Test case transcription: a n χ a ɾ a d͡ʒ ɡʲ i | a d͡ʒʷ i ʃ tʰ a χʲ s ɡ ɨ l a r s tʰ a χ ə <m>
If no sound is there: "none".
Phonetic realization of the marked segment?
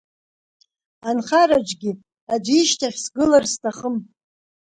m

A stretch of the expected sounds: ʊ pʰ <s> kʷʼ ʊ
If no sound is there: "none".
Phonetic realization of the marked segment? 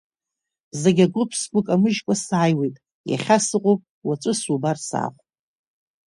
s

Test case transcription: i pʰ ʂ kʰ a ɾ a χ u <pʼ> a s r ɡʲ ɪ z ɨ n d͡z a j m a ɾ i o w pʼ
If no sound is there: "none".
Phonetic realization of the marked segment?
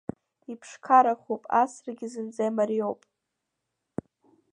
pʼ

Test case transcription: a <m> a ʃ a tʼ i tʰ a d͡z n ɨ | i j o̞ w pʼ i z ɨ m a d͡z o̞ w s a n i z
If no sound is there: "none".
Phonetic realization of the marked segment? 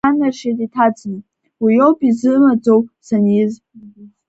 n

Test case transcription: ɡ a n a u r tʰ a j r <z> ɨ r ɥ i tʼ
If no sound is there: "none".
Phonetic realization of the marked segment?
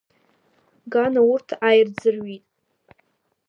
d͡z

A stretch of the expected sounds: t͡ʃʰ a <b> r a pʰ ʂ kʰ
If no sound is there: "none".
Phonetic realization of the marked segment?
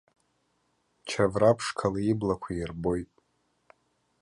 v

